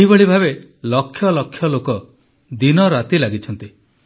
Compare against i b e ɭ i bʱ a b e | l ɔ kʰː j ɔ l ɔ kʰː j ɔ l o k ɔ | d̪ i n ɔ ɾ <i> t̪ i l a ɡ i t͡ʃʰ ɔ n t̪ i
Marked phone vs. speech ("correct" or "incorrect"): incorrect